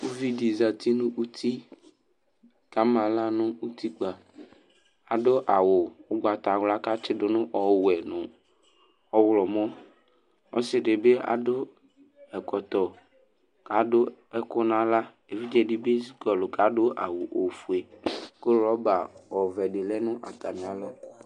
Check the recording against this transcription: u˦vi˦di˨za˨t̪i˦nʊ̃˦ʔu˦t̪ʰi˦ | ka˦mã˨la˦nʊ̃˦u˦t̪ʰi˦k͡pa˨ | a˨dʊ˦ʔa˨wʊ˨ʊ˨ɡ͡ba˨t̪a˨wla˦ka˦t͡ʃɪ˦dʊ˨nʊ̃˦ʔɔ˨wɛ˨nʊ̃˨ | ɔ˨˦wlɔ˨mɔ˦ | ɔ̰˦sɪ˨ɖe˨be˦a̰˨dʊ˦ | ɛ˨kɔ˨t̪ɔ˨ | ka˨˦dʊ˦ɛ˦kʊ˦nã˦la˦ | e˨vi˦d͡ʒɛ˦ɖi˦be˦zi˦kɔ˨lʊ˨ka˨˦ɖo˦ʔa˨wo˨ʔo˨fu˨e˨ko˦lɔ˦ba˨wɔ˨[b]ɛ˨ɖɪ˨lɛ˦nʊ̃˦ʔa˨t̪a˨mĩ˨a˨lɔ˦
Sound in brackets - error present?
yes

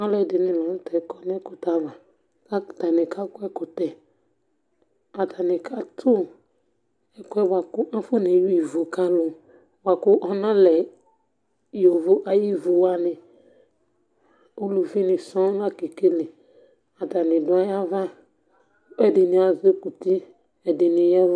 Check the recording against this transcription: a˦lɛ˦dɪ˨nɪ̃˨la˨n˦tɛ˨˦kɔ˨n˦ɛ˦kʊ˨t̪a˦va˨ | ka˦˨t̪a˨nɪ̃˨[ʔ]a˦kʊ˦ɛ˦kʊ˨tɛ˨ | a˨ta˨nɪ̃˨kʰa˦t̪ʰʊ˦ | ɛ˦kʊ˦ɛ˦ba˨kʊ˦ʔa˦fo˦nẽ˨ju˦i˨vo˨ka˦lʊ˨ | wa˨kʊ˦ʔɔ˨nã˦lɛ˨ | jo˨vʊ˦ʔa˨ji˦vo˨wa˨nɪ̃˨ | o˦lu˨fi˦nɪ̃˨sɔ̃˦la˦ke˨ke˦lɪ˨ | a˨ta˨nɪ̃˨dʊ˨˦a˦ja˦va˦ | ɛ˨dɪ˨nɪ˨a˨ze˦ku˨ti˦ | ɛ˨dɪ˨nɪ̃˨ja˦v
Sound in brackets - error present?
yes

